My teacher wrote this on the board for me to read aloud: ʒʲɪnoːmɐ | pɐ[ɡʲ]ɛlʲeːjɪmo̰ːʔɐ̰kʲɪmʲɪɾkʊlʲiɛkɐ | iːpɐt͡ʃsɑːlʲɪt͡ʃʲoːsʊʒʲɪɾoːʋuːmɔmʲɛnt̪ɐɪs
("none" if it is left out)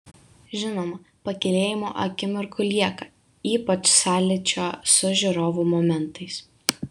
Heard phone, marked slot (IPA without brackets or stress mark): kʲ